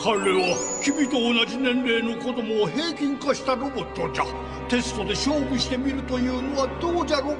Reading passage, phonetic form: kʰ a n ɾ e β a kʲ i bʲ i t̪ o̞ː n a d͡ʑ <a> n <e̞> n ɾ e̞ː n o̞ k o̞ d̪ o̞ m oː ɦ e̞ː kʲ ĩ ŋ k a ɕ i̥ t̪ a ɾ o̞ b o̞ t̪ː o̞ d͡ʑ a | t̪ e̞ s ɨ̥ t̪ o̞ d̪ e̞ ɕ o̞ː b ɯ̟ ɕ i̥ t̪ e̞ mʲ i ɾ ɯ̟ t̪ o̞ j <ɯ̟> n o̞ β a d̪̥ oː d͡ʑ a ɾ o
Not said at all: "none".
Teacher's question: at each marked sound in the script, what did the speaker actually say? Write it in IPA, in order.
i, ẽ̞, ɯ̟ː

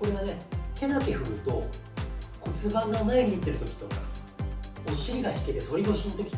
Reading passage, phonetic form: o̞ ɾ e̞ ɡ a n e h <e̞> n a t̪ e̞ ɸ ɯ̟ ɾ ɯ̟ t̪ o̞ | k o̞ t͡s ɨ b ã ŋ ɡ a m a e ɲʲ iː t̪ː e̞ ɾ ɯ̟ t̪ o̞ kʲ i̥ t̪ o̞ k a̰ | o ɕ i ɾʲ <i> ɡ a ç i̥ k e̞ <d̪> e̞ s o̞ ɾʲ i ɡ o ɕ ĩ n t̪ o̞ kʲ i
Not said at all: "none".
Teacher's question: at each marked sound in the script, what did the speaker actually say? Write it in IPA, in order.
e̞, i, t̪

